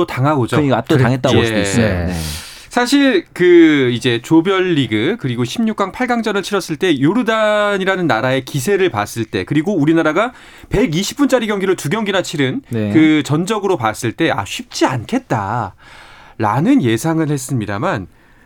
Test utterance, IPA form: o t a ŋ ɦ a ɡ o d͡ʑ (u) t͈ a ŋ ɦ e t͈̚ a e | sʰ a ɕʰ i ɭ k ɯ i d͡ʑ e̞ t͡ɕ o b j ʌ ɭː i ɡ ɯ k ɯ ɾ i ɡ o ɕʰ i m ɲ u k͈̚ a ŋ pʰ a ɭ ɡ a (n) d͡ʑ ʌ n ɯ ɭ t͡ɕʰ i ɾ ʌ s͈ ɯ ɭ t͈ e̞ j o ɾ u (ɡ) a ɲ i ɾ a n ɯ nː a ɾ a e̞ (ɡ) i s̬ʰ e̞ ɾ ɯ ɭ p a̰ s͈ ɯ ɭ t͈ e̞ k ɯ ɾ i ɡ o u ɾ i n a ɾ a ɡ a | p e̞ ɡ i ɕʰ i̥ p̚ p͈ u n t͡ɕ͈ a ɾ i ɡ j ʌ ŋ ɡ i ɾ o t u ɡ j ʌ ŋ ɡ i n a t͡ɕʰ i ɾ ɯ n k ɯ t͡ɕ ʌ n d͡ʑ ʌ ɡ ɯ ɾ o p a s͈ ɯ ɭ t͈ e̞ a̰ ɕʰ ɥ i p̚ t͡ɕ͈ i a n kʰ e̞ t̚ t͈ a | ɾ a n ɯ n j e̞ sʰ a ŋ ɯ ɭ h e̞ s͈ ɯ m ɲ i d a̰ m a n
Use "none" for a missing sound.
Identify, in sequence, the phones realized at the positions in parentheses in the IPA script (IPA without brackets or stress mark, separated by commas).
o, ŋ, d, k